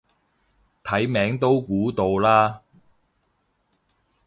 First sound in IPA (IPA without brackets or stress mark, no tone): t̪ʰ